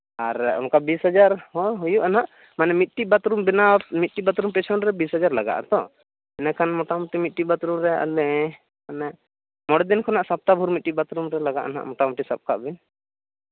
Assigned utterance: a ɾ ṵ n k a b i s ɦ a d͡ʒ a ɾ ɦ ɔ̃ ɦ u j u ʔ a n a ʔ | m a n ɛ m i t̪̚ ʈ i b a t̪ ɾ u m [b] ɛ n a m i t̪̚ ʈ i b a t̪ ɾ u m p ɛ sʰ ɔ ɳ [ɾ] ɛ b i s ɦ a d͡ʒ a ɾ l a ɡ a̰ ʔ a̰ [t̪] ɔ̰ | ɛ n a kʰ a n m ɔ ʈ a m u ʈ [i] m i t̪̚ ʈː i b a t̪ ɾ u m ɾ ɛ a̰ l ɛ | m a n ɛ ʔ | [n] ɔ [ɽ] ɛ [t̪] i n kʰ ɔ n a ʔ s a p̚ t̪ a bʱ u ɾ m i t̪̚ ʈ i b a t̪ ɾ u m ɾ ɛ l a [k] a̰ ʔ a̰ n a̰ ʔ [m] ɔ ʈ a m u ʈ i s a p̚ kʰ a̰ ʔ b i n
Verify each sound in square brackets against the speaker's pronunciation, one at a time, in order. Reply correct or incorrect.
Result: correct, correct, correct, correct, incorrect, correct, incorrect, incorrect, correct

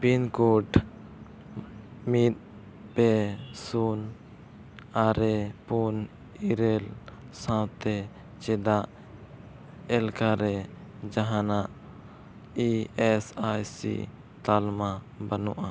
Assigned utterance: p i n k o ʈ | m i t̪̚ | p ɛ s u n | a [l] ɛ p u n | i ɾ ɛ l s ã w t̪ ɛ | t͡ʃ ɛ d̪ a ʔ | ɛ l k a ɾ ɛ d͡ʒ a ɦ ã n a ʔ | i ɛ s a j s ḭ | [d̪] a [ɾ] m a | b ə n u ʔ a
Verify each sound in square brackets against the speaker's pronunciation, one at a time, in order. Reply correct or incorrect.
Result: incorrect, incorrect, incorrect

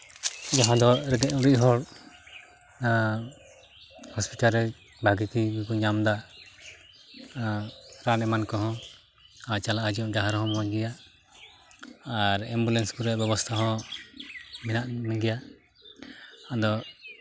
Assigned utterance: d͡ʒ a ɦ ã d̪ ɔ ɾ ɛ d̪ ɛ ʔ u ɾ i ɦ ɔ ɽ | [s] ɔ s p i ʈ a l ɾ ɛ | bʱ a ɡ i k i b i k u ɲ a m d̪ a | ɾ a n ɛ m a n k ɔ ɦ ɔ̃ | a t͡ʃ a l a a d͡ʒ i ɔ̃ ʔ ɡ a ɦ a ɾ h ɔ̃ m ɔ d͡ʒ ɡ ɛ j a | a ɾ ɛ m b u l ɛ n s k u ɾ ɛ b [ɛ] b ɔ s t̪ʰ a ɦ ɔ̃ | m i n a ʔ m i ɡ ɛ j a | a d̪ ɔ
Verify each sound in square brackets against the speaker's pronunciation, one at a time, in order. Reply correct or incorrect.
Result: incorrect, correct

